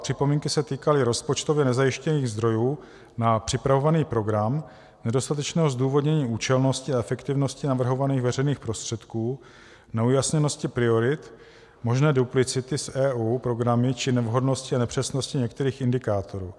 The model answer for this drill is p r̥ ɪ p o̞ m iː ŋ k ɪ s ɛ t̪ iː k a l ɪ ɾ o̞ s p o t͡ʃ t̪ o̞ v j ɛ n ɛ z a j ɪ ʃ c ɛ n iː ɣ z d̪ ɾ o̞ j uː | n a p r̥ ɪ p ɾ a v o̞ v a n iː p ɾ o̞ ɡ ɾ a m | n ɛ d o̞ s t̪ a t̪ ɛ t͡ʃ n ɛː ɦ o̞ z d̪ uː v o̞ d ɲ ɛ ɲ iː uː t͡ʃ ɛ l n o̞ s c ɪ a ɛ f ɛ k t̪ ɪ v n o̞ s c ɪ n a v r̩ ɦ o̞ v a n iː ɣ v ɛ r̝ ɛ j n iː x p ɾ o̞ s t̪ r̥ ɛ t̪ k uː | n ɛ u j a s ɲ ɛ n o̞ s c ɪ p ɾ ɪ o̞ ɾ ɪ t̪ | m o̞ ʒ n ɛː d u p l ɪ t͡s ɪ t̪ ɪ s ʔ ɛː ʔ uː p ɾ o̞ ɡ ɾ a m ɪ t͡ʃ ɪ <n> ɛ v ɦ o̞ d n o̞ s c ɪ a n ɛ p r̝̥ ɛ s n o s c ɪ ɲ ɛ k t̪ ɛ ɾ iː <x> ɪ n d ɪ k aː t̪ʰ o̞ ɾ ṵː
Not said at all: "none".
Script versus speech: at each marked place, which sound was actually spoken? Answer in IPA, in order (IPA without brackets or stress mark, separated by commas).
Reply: n, x